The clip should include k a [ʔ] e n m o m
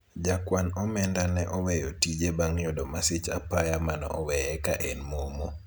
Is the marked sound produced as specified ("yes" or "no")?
yes